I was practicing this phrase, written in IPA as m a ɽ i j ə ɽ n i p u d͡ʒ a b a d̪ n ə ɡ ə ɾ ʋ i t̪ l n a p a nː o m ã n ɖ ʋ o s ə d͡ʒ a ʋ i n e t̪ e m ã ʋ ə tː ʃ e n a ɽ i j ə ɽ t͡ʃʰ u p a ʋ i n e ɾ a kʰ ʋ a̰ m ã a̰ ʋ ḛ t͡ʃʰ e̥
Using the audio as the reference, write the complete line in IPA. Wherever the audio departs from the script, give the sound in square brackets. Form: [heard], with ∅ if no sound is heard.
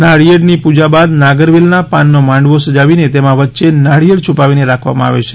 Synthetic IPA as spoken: [n] a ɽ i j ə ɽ n i p u d͡ʒ a b a d̪ n [a] ɡ ə ɾ ʋ i [∅] l n a p a nː o m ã [ɳ] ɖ ʋ o s ə d͡ʒ a ʋ i n e t̪ e m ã ʋ ə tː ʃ e n a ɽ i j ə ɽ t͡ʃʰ u p a ʋ i n e ɾ a kʰ ʋ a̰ m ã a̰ ʋ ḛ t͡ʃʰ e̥